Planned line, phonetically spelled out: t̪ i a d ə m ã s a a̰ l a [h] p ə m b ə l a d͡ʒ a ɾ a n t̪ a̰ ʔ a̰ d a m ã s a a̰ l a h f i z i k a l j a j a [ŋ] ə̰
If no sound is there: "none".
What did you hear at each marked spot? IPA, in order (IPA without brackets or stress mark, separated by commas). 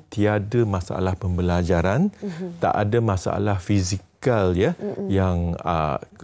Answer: h, ŋ